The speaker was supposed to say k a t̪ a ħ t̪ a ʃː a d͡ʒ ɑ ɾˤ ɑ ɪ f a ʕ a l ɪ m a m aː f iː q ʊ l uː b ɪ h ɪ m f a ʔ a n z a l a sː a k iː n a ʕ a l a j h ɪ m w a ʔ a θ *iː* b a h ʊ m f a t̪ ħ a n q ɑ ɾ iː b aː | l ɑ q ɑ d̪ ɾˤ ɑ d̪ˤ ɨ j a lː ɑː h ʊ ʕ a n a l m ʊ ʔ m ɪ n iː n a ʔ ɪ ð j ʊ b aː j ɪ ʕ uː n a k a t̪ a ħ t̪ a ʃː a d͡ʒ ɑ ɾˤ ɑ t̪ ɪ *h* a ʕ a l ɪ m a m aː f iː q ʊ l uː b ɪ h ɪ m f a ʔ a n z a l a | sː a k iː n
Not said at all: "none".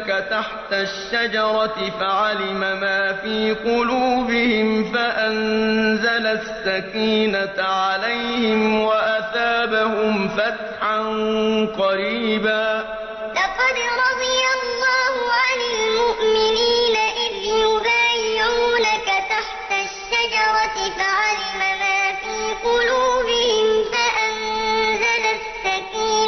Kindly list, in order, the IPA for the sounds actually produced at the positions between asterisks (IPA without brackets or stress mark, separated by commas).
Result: aː, f